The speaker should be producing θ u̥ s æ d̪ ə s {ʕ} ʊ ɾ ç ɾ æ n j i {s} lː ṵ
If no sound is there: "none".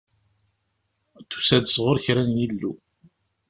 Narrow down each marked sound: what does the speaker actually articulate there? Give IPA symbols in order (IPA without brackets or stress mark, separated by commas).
ʁ, none